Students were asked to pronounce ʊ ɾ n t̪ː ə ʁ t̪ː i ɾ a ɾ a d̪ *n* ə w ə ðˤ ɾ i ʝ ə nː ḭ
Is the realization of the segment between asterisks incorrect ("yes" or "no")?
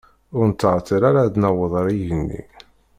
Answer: no